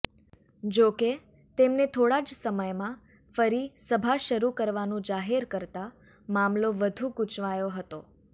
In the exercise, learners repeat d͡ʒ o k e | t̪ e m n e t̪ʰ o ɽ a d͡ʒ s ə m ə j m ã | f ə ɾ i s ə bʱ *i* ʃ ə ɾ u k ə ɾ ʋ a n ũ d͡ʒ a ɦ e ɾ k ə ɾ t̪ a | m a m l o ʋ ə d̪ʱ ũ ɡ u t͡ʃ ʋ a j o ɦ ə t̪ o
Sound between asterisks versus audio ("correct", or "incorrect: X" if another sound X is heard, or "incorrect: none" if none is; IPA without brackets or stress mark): incorrect: a